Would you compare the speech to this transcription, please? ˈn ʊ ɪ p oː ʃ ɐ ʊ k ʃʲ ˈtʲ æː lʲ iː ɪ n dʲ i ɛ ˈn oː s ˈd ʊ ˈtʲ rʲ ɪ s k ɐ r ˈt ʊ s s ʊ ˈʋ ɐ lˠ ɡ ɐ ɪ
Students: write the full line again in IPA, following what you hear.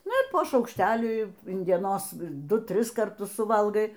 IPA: ˈn ʊ ɪ p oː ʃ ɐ ʊ k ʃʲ ˈtʲ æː lʲ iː ɪ n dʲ i ɛ ˈn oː s ˈd ʊ ˈtʲ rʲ ɪ s k ɐ r ˈt ʊ s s ʊ ˈʋ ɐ lˠ ɡ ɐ ɪ